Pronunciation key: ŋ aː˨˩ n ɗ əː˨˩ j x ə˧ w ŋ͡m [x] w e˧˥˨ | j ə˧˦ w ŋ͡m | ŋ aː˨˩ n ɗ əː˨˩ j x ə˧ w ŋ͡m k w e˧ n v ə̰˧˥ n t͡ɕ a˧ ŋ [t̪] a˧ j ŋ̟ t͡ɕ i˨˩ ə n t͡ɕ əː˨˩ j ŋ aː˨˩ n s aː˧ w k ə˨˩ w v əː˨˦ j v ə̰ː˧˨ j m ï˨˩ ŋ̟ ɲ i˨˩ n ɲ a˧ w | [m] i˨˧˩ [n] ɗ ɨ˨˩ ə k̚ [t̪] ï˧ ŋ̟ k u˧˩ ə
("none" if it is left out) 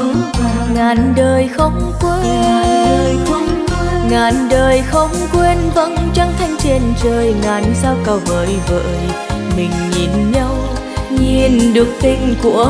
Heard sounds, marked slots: k, t̪ʰ, ɲ, n, t̪

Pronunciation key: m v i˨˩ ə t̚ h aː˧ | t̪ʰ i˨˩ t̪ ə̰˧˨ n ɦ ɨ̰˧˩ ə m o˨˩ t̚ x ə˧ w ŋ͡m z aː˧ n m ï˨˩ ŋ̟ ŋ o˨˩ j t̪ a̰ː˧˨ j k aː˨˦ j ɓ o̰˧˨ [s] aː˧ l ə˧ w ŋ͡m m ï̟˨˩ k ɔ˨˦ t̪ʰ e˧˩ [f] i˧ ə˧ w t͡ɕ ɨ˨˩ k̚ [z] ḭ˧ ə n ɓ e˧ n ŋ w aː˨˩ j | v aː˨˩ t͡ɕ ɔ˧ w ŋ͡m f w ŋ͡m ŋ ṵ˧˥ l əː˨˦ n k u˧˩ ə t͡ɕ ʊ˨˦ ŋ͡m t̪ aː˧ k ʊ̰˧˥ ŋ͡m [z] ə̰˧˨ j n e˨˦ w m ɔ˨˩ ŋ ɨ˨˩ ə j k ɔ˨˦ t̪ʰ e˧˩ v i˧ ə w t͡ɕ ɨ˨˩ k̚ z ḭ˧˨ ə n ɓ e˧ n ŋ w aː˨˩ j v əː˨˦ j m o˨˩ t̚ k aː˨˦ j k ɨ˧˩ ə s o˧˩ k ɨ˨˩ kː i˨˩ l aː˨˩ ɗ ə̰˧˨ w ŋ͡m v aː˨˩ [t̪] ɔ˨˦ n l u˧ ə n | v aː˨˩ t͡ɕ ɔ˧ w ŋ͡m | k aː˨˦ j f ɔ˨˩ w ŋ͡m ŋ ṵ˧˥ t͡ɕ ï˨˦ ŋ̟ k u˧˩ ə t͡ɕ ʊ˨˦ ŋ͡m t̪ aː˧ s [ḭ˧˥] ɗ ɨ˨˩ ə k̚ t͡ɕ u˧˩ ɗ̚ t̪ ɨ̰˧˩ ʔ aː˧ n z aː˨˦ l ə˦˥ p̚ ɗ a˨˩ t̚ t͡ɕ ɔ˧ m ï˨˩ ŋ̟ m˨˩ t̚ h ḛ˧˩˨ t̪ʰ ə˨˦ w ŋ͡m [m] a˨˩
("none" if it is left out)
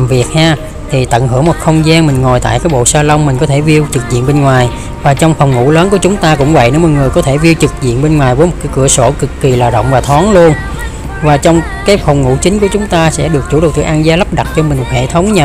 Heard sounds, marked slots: s, v, z, v, t̪ʰ, ɛ̰˧˥, ɲ

